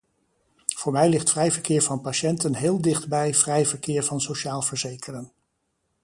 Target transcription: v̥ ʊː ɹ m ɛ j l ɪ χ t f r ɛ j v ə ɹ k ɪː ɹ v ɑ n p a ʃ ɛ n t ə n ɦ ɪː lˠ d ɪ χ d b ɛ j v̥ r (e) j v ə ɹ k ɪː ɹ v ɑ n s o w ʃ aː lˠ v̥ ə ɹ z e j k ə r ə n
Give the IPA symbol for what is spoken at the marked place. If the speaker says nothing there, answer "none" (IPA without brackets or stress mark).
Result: ɛ